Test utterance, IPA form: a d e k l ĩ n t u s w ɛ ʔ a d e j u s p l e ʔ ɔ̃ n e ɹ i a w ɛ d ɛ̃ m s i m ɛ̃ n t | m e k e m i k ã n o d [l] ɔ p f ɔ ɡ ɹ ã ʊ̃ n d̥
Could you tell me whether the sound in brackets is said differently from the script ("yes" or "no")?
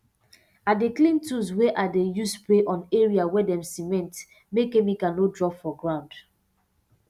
yes